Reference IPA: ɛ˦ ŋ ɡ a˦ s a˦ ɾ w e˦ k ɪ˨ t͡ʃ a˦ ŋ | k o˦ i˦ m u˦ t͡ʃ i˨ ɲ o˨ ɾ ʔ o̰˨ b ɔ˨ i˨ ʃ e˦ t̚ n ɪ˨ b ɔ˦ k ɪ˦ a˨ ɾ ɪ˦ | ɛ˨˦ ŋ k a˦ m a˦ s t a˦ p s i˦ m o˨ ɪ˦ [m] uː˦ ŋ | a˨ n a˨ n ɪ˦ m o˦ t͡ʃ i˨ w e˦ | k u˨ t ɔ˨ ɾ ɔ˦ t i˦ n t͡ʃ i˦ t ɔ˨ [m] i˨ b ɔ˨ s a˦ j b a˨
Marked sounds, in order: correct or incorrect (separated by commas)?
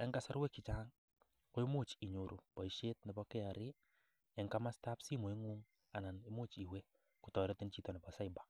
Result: incorrect, incorrect